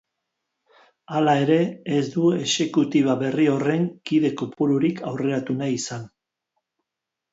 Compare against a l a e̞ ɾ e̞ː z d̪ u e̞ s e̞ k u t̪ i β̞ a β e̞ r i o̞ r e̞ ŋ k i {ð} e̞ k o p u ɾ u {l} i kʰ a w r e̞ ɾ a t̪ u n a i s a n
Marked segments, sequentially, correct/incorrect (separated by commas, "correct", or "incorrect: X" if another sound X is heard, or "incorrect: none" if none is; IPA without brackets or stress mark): correct, incorrect: ɾ